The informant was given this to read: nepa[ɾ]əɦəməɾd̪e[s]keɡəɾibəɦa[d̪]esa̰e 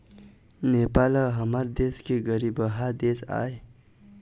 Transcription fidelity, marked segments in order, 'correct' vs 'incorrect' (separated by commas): incorrect, correct, correct